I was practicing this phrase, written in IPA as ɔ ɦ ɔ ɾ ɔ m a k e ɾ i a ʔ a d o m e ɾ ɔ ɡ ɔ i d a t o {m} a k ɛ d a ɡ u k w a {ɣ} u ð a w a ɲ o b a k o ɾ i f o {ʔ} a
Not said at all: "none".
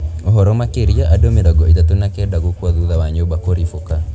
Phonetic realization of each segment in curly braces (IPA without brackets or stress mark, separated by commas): n, ð, k